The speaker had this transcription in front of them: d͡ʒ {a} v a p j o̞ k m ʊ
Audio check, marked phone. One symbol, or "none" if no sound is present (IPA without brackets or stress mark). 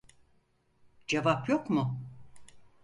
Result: e